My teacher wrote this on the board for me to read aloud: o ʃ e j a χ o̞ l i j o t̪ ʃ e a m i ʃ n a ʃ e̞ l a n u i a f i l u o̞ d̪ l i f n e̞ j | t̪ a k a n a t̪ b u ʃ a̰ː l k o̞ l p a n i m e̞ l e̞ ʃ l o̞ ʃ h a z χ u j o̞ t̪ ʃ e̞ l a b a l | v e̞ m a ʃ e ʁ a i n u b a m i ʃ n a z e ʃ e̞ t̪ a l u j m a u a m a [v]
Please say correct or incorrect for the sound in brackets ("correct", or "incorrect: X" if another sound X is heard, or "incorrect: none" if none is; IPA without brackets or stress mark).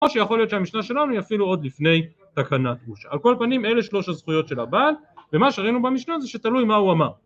incorrect: ʁ